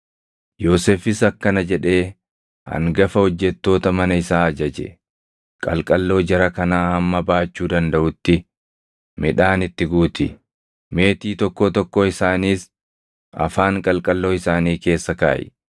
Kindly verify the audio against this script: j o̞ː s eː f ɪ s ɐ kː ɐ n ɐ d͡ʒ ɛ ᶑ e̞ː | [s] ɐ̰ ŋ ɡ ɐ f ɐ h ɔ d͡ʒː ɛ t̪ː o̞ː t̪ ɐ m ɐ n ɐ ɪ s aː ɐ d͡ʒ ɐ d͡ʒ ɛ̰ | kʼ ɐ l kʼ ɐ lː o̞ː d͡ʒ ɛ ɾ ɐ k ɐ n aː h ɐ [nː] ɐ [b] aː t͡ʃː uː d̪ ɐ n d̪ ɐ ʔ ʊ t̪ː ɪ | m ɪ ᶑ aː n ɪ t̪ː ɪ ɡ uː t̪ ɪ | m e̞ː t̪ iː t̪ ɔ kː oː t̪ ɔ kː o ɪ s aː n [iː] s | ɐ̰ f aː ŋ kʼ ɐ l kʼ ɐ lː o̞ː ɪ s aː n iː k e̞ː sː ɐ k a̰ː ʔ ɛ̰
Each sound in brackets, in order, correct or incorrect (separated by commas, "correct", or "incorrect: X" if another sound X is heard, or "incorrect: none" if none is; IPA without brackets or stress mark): incorrect: h, incorrect: mː, correct, correct